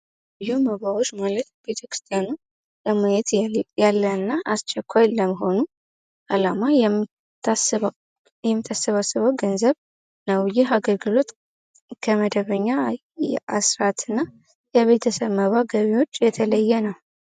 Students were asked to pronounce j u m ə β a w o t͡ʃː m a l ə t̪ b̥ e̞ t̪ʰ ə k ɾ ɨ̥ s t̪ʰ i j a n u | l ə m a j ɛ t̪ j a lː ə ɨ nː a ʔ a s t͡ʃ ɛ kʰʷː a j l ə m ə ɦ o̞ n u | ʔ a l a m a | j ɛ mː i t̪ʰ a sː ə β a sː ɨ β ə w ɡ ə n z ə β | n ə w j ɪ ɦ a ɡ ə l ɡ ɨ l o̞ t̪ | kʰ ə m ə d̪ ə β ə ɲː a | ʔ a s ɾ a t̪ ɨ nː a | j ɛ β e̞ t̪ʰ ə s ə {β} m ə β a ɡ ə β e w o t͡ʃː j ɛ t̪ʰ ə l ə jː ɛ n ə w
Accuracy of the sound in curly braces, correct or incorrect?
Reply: correct